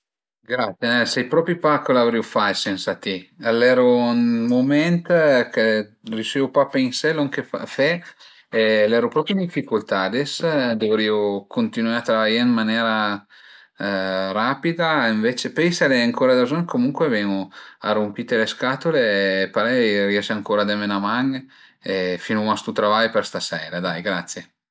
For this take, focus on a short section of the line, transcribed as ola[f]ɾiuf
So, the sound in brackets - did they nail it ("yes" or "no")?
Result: no